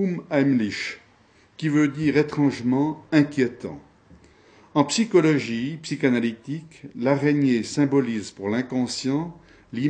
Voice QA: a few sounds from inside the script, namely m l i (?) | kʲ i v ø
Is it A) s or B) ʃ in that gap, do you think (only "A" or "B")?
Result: B